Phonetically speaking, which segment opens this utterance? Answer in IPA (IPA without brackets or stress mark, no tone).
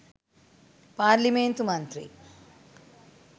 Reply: p